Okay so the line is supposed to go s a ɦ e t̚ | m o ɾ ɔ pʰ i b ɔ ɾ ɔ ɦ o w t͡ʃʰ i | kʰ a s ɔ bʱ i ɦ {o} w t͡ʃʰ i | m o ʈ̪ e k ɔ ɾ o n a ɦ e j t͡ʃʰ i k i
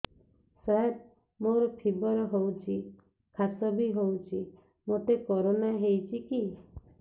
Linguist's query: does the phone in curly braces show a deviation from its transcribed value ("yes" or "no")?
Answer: no